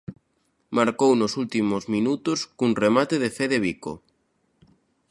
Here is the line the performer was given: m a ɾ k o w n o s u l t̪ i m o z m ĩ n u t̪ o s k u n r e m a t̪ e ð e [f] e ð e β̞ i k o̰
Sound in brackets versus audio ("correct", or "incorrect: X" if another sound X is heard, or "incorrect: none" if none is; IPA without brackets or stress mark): correct